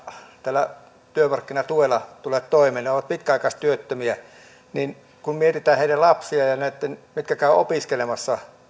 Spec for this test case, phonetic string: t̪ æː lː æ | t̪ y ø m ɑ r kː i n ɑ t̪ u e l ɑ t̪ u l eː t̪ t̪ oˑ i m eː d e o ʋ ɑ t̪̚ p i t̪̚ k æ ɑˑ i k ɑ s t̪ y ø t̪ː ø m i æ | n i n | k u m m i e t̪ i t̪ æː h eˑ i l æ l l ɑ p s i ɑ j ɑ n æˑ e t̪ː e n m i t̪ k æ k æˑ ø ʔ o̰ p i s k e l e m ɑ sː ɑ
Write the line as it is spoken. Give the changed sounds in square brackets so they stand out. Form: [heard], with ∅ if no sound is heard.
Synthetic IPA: t̪ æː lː æ | t̪ y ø m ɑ r kː i n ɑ t̪ u e l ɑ t̪ u l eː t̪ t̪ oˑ i m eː [n] e o ʋ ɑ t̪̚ p i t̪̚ k æ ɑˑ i k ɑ s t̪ y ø t̪ː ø m i æ | n i n | k u m m i e t̪ i t̪ æː h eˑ i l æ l l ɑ p s i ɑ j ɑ n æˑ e t̪ː e n m i t̪ k æ k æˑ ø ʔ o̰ p i s k e l e m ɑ sː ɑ